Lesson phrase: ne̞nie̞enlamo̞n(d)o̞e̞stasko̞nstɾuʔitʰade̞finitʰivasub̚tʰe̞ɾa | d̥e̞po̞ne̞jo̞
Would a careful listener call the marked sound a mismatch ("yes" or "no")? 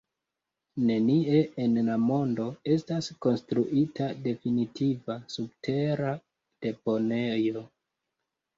no